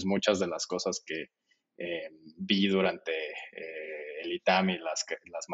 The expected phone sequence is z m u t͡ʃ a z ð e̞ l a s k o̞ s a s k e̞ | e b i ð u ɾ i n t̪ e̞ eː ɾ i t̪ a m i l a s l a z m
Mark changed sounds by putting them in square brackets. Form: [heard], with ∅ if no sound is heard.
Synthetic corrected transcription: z m u t͡ʃ a z ð e̞ l a s k o̞ s a s k e̞ | e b i ð u ɾ [a] n t̪ e̞ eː [l] i t̪ a m i l a s l a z m